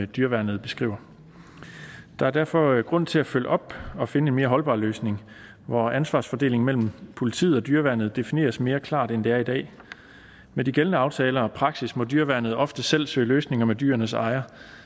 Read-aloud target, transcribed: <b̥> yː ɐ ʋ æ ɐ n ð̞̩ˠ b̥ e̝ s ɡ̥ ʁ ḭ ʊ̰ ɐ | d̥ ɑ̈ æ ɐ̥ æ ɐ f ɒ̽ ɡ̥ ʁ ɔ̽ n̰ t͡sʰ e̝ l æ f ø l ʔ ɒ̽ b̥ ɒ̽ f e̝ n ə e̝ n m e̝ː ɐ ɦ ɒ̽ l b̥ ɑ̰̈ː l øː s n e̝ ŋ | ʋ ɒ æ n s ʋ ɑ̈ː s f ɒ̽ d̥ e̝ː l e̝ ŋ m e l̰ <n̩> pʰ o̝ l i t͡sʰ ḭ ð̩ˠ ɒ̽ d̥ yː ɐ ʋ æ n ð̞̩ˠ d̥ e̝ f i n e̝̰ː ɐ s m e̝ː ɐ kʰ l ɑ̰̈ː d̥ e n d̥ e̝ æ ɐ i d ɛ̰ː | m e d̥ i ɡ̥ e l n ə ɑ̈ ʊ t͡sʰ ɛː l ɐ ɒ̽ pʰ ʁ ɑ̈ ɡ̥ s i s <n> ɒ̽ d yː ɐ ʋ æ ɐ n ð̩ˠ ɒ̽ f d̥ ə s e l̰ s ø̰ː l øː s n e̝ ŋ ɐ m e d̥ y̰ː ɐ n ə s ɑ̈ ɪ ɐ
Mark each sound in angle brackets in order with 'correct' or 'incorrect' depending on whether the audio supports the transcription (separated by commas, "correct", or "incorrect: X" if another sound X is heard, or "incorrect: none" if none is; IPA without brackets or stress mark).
incorrect: d̥, incorrect: m̩, incorrect: m